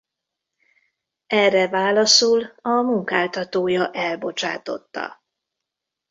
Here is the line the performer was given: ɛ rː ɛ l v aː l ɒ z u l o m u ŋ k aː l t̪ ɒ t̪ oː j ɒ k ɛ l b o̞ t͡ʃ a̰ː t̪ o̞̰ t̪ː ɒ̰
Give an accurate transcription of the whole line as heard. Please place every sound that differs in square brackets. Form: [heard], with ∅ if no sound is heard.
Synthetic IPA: ɛ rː ɛ [∅] v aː l ɒ [s] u l [ɒ] m u ŋ k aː l t̪ ɒ t̪ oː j ɒ [ʔ] ɛ l b o̞ t͡ʃ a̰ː t̪ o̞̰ t̪ː ɒ̰